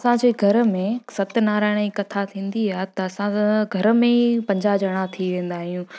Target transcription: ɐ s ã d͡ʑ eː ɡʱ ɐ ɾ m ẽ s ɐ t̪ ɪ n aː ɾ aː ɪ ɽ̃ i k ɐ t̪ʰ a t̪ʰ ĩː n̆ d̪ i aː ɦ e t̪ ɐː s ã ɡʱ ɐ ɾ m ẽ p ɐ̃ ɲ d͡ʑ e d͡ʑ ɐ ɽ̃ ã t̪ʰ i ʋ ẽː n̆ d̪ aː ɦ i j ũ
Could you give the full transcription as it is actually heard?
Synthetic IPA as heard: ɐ s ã d͡ʑ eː ɡʱ ɐ ɾ m ẽ s ɐ t̪ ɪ n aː ɾ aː ɪ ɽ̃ i k ɐ t̪ʰ a t̪ʰ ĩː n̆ d̪ i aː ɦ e t̪ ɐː s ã ɡʱ ɐ ɾ m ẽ p ɐ̃ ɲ d͡ʑ a d͡ʑ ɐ ɽ̃ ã t̪ʰ i ʋ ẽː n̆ d̪ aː ɦ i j ũ